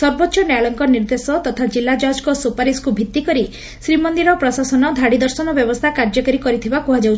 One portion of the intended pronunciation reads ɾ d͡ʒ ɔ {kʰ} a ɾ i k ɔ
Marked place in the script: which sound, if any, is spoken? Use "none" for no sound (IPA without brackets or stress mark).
k